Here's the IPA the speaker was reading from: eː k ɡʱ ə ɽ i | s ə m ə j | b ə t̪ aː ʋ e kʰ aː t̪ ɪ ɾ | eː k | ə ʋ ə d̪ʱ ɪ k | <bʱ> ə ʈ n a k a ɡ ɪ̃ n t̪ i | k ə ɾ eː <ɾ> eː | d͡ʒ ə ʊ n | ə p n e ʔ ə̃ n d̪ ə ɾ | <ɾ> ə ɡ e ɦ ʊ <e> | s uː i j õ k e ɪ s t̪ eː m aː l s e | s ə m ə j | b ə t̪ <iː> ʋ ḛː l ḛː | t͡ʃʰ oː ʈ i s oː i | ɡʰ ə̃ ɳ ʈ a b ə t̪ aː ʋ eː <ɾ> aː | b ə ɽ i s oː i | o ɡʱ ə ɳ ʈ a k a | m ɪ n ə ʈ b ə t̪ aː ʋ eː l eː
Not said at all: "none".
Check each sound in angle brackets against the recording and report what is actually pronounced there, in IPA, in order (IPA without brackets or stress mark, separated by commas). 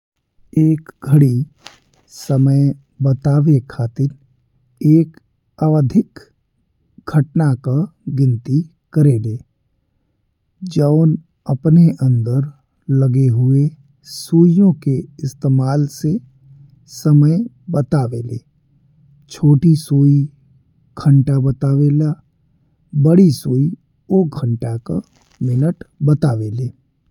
ɡʱ, l, l, e, aː, l